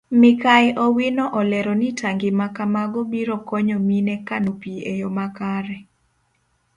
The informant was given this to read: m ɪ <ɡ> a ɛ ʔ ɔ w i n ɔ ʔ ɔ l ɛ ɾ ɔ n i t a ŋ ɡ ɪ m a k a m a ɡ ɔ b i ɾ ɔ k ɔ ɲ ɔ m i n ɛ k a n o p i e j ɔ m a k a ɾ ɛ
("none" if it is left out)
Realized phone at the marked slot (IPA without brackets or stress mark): k